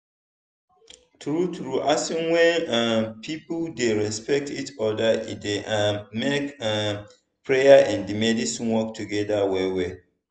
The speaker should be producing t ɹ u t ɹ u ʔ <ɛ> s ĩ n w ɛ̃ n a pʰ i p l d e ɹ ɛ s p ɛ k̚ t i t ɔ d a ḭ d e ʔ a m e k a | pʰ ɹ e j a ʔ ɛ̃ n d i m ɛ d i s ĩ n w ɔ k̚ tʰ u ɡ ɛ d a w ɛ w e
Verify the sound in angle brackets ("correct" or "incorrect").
incorrect